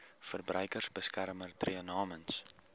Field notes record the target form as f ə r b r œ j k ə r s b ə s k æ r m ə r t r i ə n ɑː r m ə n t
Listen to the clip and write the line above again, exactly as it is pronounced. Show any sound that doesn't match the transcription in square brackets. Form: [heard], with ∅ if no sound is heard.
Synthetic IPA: f ə r b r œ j k ə r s b ə s k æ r m ə r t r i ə n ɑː [∅] m ə n [s]